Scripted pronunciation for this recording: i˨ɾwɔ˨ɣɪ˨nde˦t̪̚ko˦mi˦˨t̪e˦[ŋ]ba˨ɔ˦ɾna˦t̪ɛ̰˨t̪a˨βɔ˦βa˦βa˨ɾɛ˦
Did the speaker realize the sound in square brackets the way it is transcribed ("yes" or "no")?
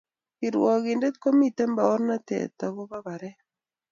no